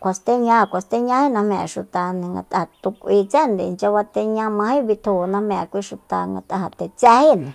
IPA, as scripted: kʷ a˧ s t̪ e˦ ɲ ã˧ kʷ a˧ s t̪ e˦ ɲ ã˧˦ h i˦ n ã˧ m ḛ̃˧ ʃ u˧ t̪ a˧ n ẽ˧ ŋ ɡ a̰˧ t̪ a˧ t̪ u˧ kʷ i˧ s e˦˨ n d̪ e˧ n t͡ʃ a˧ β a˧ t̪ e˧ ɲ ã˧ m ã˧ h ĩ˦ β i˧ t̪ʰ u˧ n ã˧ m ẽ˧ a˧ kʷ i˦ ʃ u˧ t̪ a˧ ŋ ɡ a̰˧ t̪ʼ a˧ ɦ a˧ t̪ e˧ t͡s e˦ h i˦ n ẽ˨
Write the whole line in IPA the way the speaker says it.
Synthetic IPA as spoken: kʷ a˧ s t̪ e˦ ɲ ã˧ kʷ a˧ s t̪ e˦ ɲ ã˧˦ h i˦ n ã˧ m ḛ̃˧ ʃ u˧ t̪ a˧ n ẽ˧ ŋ ɡ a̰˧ t̪ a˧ t̪ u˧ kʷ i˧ t͡s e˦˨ n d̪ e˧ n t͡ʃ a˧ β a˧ t̪ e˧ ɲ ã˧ m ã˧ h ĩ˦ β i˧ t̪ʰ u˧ n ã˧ m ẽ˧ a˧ kʷ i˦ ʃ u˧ t̪ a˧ ŋ ɡ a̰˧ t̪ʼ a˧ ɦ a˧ t̪ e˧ t͡s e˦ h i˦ n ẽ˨